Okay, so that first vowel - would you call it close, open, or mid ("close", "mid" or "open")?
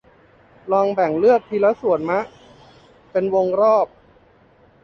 mid